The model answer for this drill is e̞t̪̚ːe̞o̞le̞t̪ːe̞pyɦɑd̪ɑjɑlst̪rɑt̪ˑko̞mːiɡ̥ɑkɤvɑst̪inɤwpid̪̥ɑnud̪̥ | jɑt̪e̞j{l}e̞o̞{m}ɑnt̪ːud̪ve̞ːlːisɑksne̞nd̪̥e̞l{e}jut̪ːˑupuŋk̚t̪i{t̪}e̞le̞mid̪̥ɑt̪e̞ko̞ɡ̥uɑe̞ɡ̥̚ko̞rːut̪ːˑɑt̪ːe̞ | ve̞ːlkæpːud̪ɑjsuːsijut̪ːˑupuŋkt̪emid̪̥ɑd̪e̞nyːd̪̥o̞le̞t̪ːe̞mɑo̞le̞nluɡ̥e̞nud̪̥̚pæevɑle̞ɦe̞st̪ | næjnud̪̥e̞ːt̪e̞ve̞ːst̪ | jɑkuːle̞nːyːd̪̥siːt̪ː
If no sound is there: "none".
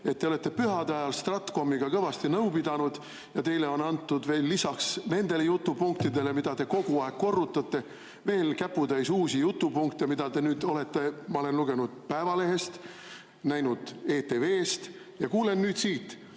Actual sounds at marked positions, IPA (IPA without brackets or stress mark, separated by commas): l, n, e, d̪